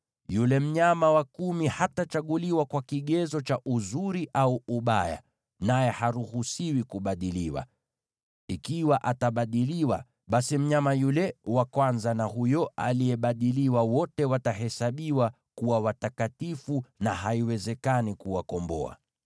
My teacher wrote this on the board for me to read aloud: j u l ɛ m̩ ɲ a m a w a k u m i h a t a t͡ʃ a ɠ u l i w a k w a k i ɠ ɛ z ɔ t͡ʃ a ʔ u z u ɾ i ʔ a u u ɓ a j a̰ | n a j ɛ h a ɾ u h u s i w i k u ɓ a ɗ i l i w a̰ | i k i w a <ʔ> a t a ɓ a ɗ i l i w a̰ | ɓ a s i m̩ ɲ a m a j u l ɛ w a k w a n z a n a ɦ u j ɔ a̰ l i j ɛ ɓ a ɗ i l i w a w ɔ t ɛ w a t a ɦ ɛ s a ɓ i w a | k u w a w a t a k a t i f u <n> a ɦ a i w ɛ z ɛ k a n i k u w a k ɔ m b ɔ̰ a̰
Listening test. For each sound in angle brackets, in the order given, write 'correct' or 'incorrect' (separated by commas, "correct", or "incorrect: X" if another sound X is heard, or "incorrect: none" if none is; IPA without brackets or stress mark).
correct, correct